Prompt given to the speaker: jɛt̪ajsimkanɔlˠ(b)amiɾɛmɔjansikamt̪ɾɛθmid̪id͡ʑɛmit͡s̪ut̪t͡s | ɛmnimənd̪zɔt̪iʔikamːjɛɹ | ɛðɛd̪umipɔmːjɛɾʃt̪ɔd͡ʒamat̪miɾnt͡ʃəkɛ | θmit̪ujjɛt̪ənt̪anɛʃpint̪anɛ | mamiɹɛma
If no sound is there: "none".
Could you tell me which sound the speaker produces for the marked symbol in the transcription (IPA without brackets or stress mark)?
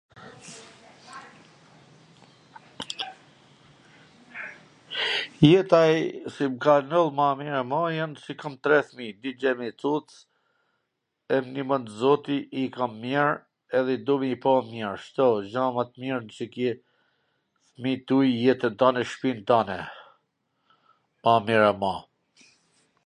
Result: m